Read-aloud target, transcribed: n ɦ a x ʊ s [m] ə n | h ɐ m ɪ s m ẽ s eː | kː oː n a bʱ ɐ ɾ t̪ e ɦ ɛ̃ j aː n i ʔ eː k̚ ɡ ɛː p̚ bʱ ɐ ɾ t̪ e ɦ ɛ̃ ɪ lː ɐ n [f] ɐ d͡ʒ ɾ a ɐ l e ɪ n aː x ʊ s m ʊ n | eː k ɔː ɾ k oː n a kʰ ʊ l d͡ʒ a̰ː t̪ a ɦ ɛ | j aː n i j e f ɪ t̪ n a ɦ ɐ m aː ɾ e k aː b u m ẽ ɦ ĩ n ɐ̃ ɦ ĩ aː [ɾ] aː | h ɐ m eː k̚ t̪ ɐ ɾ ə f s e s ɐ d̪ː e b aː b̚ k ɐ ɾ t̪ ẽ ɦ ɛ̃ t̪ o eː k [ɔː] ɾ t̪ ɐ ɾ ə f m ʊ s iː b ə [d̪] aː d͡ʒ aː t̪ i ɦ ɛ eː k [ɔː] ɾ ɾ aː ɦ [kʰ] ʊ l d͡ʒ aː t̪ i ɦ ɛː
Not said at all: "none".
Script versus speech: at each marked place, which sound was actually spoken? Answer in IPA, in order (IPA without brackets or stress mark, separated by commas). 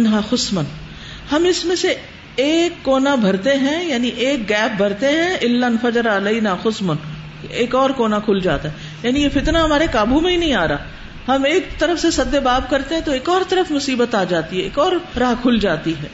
m, f, ɾ, ɔː, t̪, ɔː, kʰ